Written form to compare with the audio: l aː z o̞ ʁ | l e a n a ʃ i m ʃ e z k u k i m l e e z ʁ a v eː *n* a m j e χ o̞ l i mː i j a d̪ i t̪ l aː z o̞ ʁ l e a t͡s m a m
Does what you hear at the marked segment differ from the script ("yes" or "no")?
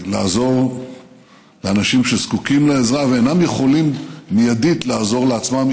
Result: no